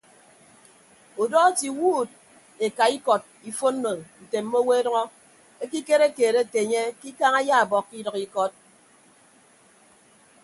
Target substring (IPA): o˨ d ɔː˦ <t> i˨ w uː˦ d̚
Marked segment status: correct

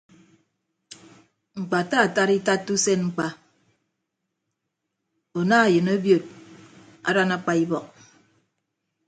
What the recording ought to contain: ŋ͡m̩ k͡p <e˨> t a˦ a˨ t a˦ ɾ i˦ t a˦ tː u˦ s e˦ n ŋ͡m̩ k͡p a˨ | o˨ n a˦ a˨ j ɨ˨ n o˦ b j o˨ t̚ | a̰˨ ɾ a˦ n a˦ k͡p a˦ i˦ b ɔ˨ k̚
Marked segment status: incorrect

